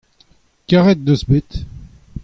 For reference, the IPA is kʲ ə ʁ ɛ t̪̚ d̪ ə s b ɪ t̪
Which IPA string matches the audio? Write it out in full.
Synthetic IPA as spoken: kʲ a ʁ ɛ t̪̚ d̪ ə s b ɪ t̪